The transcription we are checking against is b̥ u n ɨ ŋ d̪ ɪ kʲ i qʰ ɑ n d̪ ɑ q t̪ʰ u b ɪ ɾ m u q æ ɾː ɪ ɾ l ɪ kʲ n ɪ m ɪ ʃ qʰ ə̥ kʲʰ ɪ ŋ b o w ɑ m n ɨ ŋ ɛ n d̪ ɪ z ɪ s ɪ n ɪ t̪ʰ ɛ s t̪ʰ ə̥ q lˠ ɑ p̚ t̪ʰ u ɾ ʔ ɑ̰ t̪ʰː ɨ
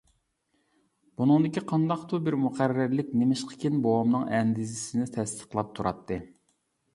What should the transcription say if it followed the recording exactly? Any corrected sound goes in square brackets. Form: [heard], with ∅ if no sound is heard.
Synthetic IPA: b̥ u n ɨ ŋ d̪ ɪ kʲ i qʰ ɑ n d̪ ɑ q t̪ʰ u b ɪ ɾ m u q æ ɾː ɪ ɾ l ɪ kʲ n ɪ m ɪ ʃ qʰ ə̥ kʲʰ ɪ [n] b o w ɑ m n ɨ ŋ ɛ n d̪ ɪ z ɪ s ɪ n ɪ t̪ʰ ɛ s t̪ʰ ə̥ q lˠ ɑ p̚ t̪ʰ u ɾ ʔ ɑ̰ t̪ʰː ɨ